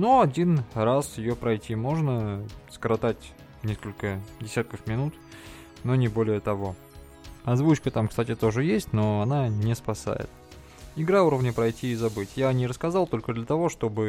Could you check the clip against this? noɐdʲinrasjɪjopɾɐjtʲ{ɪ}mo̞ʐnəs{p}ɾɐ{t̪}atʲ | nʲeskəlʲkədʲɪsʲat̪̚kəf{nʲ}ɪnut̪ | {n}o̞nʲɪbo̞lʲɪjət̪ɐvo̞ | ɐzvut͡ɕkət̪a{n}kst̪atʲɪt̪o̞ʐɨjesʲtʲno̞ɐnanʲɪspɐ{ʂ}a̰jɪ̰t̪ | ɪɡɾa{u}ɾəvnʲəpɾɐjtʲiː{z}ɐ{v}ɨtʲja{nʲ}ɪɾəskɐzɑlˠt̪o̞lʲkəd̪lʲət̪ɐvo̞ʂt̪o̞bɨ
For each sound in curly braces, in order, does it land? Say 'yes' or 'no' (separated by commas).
no, no, yes, no, yes, no, no, yes, yes, no, yes